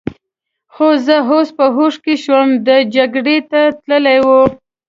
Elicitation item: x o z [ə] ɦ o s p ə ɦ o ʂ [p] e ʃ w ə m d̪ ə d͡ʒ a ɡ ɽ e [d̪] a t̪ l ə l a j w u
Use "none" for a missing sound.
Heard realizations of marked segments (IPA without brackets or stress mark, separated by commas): ə, k, t̪